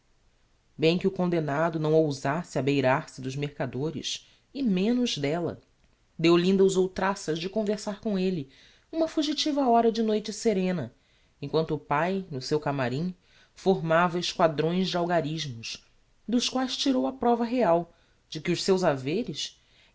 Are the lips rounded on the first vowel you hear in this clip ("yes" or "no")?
no